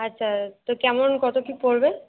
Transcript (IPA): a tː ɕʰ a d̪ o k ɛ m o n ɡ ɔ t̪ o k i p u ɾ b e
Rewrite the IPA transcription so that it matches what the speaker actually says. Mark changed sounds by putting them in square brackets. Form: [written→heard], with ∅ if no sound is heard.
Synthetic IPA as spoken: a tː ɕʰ a [d̪→t̪] o k ɛ m o n [ɡ→k] ɔ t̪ o k i p [u→o] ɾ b e